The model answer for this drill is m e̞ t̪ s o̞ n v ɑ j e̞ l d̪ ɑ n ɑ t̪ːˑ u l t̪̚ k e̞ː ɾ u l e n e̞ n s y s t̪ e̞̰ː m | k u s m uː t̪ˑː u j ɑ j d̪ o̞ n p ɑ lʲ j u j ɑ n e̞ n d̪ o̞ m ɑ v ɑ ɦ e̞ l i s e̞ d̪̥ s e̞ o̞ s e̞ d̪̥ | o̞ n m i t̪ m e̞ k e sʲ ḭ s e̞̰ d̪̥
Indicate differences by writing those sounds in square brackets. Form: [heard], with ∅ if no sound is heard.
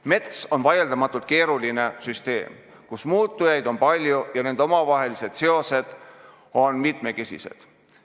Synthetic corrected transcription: m e̞ t̪ s o̞ n v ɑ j e̞ l d̪ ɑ [m] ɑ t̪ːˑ u l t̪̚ k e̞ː ɾ u l [i] n e̞ [∅] s y s t̪ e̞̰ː m | k u s m uː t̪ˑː u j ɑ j d̪ o̞ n p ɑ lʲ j u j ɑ n e̞ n d̪ o̞ m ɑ v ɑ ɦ e̞ l i s e̞ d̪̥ s e̞ o̞ s e̞ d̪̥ | o̞ n m i t̪ m e̞ k e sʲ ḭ s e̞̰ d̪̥

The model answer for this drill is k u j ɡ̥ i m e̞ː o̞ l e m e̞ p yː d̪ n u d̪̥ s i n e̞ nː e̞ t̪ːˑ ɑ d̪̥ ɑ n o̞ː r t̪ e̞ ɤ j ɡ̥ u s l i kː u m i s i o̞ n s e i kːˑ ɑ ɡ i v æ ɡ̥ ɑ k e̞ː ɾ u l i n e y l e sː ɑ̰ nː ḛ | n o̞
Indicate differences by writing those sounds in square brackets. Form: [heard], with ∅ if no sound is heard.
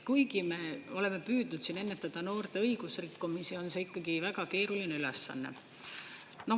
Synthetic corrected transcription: k u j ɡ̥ i m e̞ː o̞ l e m e̞ p yː d̪ n u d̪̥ s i n e̞ nː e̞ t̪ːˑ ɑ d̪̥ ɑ n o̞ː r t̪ e̞ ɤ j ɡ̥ u s [r] i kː u m i s i o̞ n s e i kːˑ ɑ ɡ i v æ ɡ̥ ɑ k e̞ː ɾ u l i n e y l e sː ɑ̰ nː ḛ | n o̞

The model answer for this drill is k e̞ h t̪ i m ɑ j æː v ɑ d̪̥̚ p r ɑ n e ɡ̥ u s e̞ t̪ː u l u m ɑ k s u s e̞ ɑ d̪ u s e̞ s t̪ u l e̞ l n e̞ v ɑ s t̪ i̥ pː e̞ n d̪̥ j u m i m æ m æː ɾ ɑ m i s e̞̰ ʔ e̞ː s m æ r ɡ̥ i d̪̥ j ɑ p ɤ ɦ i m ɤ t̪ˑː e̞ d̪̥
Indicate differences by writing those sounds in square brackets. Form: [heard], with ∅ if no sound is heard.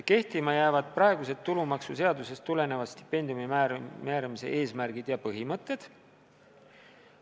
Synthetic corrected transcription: k e̞ h t̪ i m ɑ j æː v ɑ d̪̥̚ p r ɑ [∅] e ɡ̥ u s e̞ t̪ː u l u m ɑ k s u s e̞ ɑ d̪ u s e̞ s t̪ u l e̞ [∅] n e̞ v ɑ s t̪ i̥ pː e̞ n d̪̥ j u m i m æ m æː ɾ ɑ m i s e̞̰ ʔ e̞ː s m æ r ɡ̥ i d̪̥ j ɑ p ɤ ɦ i m ɤ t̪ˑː e̞ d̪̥

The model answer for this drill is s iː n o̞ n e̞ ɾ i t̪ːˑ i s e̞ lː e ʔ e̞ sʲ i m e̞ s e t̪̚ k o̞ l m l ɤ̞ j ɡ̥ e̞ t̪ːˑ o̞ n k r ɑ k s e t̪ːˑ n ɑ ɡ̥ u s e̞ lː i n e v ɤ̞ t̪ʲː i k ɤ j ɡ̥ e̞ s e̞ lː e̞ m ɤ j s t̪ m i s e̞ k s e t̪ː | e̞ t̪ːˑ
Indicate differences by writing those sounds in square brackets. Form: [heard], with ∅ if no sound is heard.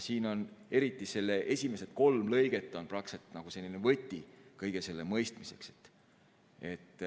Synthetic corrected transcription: s iː n o̞ n e̞ ɾ i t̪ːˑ i s e̞ lː e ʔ e̞ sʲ i m e̞ s e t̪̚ k o̞ l m l ɤ̞ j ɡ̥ e̞ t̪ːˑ o̞ n [p] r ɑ k s e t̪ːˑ n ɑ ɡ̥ u s e̞ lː i n e v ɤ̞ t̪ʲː i k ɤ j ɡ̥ e̞ s e̞ lː e̞ m ɤ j s t̪ m i s e̞ k s e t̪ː | e̞ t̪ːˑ

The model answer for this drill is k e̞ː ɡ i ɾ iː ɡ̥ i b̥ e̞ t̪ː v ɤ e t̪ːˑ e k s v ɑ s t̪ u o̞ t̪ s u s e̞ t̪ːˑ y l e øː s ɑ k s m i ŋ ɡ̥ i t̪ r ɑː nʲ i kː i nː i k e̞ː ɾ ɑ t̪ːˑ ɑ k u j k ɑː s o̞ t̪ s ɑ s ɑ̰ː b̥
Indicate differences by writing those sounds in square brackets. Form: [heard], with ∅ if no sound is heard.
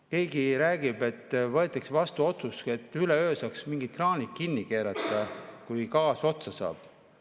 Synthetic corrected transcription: k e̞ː ɡ i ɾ [æː] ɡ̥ i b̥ e̞ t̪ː v ɤ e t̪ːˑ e k s v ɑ s t̪ u o̞ t̪ s u s e̞ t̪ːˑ y l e øː s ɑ k s m i ŋ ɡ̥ i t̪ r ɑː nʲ i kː i nː i k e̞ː ɾ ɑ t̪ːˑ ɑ k u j k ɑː s o̞ t̪ s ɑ s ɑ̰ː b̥

